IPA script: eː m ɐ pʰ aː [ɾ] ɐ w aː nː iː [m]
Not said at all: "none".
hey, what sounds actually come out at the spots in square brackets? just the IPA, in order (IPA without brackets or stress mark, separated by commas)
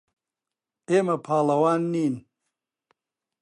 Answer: l, n